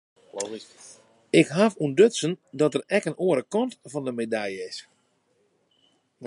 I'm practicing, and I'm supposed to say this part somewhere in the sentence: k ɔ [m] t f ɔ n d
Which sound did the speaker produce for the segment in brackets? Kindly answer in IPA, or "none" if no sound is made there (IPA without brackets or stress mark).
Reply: n